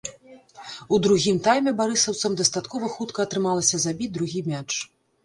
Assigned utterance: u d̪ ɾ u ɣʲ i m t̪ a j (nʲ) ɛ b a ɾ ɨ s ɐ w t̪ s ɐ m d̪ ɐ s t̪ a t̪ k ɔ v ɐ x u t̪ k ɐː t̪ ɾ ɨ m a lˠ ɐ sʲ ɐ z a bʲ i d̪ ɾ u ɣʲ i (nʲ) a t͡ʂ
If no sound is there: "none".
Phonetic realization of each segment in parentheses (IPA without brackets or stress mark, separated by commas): mʲ, mʲ